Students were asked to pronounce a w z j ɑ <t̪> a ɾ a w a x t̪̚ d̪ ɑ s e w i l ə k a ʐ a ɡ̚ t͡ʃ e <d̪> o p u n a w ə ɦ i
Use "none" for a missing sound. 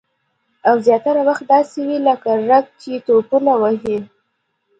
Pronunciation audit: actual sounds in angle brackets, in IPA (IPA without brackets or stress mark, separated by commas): t̪, t̪